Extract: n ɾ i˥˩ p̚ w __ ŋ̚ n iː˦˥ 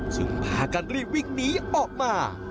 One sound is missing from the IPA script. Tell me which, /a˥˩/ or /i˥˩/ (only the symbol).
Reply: i˥˩